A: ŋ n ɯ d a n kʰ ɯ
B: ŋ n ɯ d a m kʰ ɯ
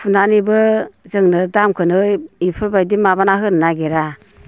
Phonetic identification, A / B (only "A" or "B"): B